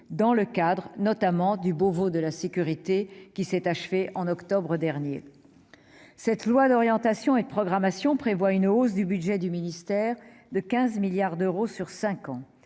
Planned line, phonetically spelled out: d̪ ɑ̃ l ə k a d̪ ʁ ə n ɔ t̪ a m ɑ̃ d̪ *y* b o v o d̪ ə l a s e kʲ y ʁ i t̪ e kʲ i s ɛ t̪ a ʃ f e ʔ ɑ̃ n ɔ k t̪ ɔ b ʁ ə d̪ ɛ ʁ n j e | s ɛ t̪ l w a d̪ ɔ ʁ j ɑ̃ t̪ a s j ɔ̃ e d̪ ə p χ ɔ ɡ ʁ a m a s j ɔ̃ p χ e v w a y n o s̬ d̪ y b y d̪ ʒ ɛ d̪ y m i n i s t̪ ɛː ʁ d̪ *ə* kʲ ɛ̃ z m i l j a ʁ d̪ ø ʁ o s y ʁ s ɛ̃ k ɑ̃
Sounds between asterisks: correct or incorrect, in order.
correct, correct

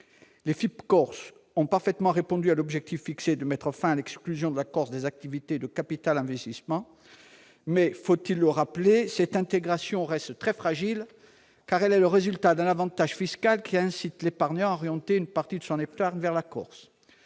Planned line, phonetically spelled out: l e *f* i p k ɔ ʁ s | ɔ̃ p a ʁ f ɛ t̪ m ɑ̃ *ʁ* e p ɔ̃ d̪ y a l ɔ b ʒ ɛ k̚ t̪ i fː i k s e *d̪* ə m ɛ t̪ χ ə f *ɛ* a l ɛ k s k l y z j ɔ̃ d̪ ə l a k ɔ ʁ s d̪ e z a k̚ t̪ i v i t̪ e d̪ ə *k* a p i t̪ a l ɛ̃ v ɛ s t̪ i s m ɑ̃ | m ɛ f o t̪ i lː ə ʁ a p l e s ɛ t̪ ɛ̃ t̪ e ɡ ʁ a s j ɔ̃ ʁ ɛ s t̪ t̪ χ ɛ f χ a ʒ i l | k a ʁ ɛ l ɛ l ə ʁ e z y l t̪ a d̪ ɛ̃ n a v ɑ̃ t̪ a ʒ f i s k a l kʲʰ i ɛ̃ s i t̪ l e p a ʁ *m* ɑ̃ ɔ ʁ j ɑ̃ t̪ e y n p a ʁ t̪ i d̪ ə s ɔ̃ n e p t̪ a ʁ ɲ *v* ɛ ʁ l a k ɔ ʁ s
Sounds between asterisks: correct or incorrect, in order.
correct, correct, correct, incorrect: ɛ̃, correct, incorrect: ɲ, correct

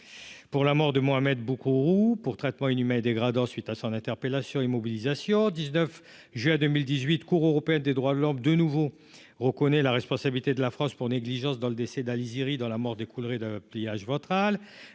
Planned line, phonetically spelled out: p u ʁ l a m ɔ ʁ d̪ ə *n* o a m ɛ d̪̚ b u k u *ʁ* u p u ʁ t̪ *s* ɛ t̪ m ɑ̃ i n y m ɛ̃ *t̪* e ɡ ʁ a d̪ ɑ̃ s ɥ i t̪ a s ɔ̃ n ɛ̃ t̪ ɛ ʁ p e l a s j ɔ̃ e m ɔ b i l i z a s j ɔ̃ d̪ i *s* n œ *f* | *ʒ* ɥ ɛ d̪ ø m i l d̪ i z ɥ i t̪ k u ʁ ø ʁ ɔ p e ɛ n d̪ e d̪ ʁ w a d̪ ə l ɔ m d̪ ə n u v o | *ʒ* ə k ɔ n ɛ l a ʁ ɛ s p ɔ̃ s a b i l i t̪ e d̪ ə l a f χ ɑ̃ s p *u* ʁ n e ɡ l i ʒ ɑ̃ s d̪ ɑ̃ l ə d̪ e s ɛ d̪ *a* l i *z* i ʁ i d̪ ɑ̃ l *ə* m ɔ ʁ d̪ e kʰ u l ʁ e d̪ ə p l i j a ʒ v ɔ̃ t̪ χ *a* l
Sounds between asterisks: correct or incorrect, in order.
incorrect: m, correct, incorrect: χ, incorrect: d̪, incorrect: z, correct, correct, incorrect: ʁ, correct, correct, correct, incorrect: a, correct

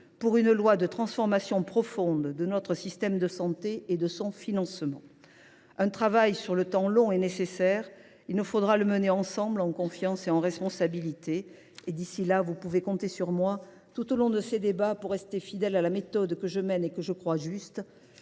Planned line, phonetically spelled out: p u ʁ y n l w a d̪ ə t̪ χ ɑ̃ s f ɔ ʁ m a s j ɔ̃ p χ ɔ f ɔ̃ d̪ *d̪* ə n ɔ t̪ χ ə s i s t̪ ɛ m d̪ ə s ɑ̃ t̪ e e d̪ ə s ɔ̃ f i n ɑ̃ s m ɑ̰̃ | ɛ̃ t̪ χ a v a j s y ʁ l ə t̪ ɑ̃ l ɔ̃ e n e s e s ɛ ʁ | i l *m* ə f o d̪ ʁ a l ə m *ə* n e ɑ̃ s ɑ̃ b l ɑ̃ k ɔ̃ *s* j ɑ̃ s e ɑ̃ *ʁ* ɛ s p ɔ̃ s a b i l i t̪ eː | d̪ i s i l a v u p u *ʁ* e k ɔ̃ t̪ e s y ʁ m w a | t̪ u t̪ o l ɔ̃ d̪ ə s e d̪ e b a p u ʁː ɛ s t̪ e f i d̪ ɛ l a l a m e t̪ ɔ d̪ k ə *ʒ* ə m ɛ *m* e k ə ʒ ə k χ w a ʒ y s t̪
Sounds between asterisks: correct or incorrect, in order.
correct, incorrect: n, correct, incorrect: f, correct, incorrect: v, correct, incorrect: n

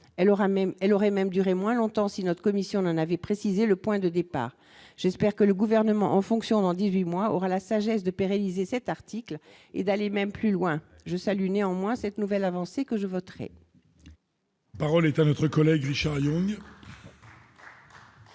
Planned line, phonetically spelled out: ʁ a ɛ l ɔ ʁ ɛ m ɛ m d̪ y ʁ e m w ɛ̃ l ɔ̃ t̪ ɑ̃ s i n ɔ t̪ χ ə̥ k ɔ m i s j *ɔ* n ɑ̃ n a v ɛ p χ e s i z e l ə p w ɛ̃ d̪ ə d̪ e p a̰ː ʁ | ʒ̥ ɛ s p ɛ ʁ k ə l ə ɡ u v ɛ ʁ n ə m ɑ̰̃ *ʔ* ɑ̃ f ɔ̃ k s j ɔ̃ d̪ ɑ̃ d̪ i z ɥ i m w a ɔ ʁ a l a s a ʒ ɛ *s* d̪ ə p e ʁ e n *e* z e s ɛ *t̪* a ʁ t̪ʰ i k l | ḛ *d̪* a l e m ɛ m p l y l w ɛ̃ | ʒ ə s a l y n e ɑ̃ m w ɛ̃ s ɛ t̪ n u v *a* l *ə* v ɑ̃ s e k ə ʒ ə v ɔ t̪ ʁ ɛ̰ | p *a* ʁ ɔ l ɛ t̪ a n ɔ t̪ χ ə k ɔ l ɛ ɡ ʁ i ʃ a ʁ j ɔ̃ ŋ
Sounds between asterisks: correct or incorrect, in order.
incorrect: ɔ̃, correct, correct, incorrect: i, correct, correct, incorrect: ɛ, incorrect: a, correct

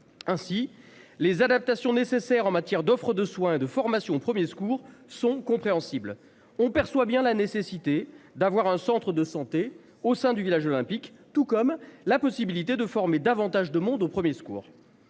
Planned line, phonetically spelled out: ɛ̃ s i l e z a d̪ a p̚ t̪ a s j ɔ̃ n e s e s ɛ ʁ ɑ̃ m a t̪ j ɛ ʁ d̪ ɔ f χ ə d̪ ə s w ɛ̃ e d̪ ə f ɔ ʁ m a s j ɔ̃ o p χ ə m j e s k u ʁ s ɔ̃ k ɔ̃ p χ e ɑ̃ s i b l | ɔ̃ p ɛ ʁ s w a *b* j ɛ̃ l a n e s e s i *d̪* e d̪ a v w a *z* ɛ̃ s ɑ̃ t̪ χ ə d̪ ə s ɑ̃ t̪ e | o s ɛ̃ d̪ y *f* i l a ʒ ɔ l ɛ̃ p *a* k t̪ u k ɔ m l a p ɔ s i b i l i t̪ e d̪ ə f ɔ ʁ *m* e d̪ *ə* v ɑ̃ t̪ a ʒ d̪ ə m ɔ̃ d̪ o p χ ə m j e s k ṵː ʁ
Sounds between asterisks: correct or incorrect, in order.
correct, incorrect: t̪, incorrect: ʁ, incorrect: v, incorrect: i, correct, incorrect: a

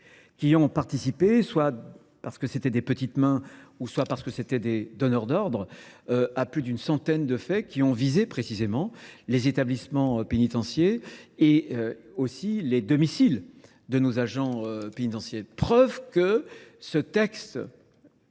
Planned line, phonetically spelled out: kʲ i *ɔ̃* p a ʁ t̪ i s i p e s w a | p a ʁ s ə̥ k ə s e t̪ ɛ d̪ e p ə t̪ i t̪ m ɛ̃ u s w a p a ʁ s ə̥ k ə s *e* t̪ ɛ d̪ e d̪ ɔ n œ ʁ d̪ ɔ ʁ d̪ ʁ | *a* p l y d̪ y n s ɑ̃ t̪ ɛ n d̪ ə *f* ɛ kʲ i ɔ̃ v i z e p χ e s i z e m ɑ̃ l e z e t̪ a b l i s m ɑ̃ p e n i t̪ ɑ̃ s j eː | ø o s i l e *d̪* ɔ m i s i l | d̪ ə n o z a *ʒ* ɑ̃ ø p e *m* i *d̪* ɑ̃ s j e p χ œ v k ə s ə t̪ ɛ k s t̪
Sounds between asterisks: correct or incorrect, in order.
correct, correct, correct, correct, correct, correct, incorrect: n, incorrect: t̪

